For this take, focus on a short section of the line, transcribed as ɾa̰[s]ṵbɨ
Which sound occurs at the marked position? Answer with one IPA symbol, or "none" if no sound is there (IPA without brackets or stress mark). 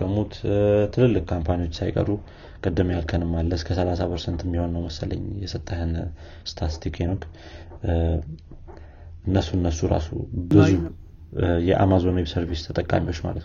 s